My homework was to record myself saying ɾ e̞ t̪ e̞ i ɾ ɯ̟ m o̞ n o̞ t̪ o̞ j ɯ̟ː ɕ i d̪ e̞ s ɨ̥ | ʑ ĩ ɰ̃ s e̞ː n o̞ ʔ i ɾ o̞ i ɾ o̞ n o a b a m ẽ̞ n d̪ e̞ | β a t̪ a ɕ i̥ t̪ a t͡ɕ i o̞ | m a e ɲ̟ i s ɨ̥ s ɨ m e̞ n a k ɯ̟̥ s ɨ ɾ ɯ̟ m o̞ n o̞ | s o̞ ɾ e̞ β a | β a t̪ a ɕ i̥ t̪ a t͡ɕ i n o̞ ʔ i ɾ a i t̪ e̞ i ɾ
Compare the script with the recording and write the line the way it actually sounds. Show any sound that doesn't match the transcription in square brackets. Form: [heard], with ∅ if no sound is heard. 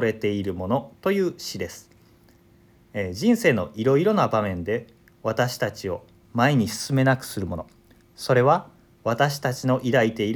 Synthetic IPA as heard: ɾ e̞ t̪ e̞ i ɾ ɯ̟ m o̞ n o̞ t̪ o̞ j ɯ̟ː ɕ i d̪ e̞ s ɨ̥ | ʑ ĩ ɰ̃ s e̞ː n o̞ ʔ i ɾ o̞ i ɾ o̞ n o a b a m ẽ̞ n d̪ e̞ | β a t̪ a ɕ i̥ t̪ a t͡ɕ i o̞ | m a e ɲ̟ i s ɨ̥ s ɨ m e̞ n a k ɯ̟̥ s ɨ ɾ ɯ̟ m o̞ n o̞ | s o̞ ɾ e̞ β a | β a t̪ a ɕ i̥ t̪ a t͡ɕ i n o̞ ʔ i ɾ a i t̪ e̞ i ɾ